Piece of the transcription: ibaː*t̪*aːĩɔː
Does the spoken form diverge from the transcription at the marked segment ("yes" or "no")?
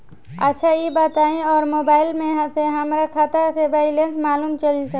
no